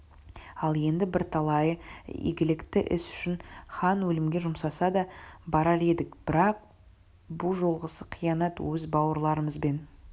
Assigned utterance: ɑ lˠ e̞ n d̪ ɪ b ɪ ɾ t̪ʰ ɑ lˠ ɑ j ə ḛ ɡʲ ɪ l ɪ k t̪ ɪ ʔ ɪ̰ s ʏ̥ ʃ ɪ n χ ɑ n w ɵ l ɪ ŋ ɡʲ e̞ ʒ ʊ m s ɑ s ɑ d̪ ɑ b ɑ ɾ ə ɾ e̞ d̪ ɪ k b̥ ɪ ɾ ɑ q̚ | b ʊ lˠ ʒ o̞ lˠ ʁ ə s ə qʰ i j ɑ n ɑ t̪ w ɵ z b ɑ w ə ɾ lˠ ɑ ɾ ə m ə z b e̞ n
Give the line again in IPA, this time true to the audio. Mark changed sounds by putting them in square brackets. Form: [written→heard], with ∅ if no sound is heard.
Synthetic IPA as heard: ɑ lˠ e̞ n d̪ ɪ b ɪ ɾ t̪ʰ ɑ lˠ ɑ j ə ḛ ɡʲ ɪ l ɪ k t̪ ɪ ʔ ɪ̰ s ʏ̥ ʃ ɪ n χ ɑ n w ɵ l ɪ [ŋ→m] ɡʲ e̞ ʒ ʊ m s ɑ s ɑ d̪ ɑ b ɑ ɾ [ə→ɑ] ɾ e̞ d̪ ɪ k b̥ ɪ ɾ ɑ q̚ | b ʊ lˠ ʒ o̞ lˠ ʁ ə s ə qʰ i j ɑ n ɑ t̪ w ɵ z b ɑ w ə ɾ lˠ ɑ ɾ ə m ə z b e̞ n